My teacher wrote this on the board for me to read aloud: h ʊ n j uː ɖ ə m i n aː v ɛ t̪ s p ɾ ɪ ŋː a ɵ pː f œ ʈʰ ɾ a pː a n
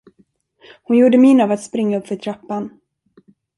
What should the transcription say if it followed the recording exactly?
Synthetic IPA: h ʊ n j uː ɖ ə m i n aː v a t̪ s p ɾ ɪ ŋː a ɵ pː f œ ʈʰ ɾ a pː a n